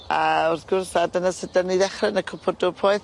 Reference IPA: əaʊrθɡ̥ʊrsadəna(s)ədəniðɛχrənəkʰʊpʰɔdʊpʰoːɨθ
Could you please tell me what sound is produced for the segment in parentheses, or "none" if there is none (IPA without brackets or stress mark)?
s